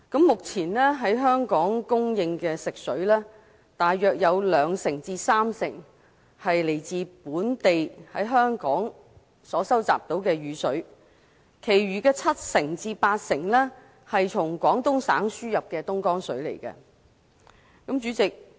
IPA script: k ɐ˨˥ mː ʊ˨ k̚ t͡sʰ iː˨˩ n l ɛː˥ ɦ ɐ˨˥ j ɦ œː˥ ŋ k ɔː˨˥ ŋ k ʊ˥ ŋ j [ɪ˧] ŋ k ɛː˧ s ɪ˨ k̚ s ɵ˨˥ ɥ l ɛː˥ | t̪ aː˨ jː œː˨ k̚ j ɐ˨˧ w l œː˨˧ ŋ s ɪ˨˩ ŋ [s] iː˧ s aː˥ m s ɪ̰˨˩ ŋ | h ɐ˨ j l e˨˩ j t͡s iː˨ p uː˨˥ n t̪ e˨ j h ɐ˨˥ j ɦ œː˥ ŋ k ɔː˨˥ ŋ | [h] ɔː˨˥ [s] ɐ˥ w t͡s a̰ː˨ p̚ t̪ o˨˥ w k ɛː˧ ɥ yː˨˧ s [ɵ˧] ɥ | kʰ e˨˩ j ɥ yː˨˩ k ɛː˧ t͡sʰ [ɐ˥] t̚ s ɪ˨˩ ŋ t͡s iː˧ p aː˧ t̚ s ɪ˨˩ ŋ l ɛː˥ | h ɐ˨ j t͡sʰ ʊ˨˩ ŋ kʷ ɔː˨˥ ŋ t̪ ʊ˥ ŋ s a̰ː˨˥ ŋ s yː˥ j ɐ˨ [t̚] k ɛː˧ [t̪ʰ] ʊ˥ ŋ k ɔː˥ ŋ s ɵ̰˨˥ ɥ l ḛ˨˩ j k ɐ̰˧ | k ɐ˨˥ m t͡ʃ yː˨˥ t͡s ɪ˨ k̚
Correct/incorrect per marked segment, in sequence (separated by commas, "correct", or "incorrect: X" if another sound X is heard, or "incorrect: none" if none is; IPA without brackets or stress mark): correct, incorrect: t͡s, incorrect: s, correct, incorrect: ɵ˨˥, correct, incorrect: p̚, incorrect: t̪